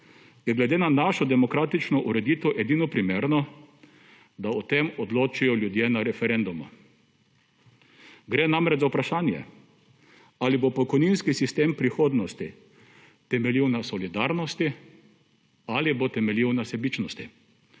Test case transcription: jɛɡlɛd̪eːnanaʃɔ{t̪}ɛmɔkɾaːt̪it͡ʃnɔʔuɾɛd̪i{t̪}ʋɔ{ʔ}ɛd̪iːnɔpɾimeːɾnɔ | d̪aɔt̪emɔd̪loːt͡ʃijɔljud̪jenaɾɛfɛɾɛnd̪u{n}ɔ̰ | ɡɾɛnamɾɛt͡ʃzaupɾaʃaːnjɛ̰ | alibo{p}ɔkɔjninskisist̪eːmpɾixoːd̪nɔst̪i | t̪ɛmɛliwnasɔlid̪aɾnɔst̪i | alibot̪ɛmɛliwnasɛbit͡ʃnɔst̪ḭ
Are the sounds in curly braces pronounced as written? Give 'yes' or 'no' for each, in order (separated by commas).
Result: no, yes, yes, no, yes